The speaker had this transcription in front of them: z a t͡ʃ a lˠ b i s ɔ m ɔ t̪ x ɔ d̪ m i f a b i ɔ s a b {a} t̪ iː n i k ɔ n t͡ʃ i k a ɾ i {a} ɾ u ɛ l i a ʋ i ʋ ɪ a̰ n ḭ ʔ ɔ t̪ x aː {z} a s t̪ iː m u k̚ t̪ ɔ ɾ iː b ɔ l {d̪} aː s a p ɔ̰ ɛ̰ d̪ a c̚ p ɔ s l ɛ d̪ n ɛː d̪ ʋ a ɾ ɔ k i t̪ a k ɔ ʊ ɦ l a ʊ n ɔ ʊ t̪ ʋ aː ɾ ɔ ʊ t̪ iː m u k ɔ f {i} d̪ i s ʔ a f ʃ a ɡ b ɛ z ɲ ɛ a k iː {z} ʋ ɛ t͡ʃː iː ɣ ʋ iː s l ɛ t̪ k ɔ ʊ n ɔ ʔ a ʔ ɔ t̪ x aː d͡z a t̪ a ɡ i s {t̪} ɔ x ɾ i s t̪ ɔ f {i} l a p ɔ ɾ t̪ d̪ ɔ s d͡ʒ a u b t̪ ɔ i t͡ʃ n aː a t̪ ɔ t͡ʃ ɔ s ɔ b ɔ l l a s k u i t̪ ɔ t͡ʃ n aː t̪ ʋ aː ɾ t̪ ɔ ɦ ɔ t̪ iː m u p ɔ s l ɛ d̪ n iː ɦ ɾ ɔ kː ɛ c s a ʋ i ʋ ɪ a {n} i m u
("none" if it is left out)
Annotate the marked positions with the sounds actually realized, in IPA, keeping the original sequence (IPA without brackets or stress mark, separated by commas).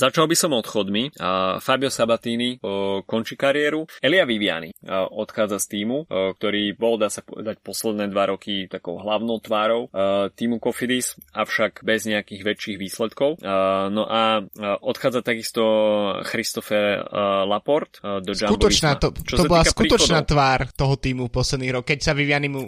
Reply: a, ɛ, d͡z, d̪, i, ɣ, t̪, ɛ, n